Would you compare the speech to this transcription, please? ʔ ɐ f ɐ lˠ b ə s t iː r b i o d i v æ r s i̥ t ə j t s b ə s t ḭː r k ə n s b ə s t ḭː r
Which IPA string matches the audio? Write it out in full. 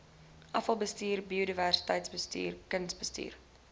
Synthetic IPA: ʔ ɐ f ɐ lˠ b ə s t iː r b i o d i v æ r s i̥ t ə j t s b ə s t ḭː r k ə n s b ə s t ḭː r